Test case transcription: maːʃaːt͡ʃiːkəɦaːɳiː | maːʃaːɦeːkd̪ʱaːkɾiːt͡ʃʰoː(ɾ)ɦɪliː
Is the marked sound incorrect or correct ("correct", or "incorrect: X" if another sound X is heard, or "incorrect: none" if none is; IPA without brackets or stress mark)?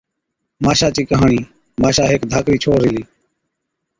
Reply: correct